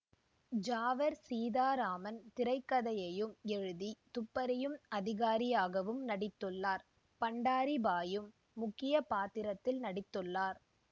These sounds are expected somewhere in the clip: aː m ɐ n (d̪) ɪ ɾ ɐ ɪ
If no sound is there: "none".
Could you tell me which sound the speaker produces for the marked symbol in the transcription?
t̪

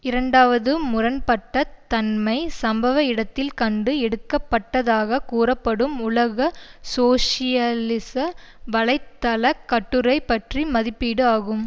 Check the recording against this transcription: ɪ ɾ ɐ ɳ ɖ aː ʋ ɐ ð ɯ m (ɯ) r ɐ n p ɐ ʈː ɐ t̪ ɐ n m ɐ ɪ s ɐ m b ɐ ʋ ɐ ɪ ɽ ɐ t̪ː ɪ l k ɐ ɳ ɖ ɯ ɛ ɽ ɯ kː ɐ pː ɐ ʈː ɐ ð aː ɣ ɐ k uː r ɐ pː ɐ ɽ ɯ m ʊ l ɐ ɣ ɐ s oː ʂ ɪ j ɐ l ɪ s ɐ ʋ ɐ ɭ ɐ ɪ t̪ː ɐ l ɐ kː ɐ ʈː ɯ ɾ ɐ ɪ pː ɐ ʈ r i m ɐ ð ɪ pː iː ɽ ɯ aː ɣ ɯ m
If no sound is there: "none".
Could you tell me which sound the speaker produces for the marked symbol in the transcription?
ʊ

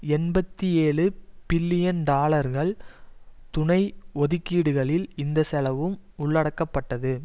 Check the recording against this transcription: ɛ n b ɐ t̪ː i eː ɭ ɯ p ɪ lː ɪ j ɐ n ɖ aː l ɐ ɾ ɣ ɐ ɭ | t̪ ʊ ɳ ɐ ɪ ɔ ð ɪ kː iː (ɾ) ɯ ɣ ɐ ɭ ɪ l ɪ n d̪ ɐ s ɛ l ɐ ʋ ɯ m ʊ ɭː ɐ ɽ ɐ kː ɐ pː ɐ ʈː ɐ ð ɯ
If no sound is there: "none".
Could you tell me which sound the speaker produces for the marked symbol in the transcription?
ɽ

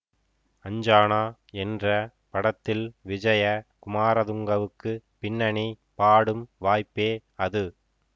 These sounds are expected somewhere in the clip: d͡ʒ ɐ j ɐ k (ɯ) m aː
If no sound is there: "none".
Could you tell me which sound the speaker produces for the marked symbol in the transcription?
ʊ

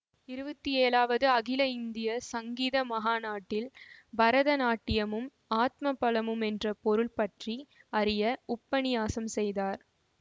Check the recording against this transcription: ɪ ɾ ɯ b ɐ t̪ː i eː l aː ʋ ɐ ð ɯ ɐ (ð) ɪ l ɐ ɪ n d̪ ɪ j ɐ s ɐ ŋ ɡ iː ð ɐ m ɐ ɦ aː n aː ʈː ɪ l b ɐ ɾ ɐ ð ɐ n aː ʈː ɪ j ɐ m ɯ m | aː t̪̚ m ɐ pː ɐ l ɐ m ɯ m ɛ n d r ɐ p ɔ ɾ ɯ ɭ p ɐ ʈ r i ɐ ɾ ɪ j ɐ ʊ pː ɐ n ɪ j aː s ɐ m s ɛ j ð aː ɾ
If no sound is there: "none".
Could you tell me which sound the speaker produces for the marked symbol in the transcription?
ɣ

